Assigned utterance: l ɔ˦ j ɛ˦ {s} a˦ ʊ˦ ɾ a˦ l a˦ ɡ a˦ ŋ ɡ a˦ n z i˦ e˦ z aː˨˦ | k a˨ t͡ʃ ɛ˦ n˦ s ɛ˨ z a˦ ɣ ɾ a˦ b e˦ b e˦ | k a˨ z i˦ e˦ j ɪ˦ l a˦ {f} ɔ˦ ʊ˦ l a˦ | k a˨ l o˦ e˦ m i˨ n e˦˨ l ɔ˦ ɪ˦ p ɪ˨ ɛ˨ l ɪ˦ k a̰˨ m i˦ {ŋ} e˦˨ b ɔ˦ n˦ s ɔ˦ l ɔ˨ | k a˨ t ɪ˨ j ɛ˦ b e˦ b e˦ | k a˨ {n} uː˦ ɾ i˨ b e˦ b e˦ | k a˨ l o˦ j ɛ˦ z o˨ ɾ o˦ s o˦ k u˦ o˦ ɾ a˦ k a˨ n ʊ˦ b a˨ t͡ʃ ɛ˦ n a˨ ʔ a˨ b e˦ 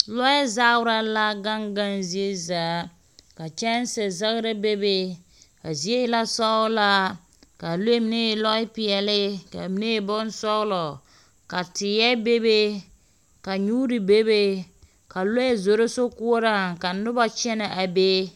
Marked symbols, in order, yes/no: no, no, no, no

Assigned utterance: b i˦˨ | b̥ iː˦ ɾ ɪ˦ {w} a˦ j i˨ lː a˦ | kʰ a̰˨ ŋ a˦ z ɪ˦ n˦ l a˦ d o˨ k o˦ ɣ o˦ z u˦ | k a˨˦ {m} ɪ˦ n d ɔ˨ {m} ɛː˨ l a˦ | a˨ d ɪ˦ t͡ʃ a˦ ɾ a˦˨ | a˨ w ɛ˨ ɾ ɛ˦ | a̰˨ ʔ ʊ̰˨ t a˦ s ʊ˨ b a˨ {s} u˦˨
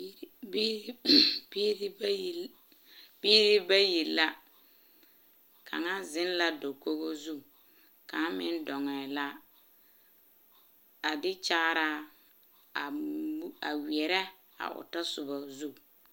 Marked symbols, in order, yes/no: no, yes, no, no

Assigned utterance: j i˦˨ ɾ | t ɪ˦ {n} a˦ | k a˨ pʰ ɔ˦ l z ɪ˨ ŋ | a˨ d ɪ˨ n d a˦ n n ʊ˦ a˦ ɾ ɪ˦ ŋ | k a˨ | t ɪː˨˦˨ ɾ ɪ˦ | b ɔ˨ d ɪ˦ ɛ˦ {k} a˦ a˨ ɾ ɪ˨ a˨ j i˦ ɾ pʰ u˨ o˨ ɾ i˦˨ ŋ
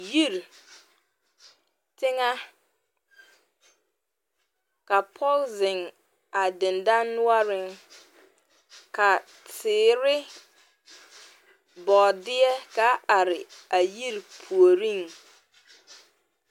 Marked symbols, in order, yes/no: no, yes

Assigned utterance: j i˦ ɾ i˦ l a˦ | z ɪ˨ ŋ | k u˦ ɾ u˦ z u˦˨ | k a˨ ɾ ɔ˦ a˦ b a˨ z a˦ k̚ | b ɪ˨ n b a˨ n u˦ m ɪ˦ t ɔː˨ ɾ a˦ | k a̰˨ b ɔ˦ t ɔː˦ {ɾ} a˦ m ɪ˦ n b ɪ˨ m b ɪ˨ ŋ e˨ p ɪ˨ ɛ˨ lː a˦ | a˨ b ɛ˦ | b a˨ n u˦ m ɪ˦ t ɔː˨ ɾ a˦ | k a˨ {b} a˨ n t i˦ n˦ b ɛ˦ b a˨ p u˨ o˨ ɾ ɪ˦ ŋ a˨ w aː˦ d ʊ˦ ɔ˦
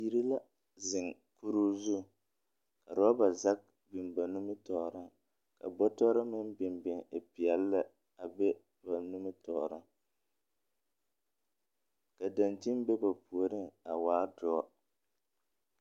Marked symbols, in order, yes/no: yes, no

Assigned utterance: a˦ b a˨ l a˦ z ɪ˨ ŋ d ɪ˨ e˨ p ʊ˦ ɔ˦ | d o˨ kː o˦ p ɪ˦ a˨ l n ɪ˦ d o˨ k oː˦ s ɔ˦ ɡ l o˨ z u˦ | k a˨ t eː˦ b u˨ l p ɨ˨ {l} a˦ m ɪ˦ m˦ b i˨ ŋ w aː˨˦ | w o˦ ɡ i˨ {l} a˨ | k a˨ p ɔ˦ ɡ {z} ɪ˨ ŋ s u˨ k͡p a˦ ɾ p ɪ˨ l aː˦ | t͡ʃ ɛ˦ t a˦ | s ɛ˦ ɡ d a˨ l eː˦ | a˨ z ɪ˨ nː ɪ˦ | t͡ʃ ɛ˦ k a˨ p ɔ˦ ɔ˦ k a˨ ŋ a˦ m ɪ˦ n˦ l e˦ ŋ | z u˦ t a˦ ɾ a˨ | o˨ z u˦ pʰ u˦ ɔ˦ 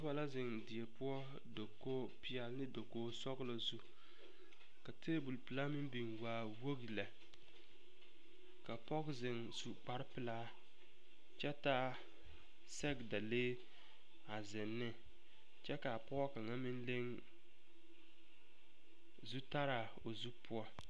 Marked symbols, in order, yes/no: yes, yes, yes

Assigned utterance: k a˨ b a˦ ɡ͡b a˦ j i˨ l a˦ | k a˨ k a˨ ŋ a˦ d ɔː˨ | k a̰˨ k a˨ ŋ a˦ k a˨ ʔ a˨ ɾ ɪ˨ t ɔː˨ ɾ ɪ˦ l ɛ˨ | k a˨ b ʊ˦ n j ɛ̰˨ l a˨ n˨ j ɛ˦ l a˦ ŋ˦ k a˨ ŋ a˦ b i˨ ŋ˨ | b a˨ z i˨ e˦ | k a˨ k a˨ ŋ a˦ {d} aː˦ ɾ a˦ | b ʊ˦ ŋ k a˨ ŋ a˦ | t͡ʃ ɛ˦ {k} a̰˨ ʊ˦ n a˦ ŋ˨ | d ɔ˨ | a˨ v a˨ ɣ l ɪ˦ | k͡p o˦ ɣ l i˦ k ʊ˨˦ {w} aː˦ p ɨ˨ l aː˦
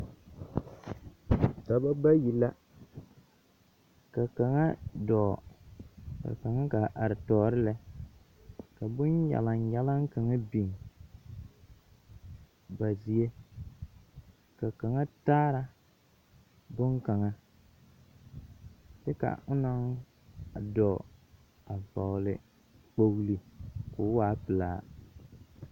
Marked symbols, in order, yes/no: no, yes, yes

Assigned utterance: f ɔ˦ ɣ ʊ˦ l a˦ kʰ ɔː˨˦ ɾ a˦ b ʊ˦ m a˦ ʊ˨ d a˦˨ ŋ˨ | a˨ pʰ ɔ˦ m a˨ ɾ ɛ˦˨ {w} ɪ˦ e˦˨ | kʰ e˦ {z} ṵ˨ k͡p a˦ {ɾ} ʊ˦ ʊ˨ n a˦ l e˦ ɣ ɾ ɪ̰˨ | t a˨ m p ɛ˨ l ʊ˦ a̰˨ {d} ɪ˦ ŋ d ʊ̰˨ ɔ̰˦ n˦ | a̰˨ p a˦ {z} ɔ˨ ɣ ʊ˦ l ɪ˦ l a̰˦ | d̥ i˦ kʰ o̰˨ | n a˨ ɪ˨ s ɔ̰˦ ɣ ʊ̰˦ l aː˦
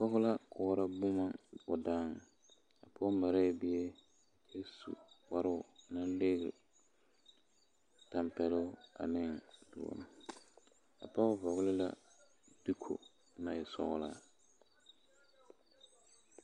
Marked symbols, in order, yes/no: no, no, yes, no, no

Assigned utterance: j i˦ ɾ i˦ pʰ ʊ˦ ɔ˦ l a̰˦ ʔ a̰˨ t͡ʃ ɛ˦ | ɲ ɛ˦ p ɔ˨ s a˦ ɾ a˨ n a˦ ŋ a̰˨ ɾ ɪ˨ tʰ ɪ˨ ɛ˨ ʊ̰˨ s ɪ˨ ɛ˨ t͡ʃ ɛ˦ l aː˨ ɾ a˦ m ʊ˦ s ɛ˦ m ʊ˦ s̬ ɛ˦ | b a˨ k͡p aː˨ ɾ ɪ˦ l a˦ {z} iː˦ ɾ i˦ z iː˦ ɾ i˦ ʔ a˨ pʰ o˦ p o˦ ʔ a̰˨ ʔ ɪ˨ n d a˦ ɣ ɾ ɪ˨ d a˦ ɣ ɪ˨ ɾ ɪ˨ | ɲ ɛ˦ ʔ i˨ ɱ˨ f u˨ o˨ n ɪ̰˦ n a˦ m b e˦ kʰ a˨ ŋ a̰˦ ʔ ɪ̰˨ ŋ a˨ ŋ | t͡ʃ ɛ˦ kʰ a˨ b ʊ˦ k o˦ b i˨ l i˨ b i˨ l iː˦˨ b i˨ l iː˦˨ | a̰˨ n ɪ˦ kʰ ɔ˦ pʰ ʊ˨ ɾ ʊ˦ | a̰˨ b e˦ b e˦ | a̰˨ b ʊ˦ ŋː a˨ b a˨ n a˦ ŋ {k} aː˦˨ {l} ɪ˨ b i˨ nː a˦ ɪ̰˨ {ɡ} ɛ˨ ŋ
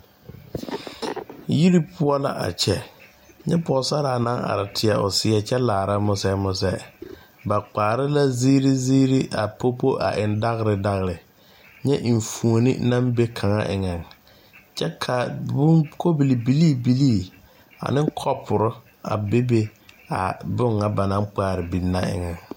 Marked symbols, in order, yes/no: yes, no, no, no

